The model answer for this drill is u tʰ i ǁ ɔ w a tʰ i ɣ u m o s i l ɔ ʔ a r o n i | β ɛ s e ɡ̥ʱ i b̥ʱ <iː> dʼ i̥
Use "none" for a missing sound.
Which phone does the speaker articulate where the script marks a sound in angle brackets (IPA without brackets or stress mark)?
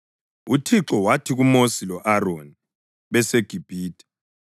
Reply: iː